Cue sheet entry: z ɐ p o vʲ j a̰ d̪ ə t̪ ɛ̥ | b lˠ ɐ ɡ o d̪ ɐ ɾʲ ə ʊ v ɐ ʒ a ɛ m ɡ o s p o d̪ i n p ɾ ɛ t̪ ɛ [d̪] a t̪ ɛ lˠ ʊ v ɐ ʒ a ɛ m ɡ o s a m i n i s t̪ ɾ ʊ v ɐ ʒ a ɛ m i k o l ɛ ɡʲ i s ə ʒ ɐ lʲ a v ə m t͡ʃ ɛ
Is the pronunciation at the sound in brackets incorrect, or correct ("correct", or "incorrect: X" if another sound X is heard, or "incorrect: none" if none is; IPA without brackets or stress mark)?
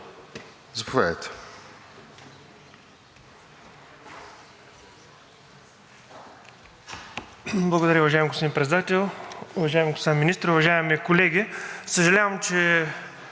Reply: correct